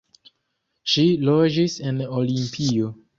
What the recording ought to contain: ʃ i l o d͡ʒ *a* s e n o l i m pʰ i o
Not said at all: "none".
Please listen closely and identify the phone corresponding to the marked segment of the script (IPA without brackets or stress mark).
i